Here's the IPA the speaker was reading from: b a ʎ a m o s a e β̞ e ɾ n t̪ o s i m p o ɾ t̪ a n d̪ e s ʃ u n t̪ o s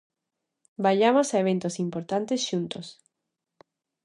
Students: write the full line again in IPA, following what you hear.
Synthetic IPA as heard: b a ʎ a m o s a e β̞ e n t̪ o s i m p o ɾ t̪ a n t̪ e s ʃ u n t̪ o s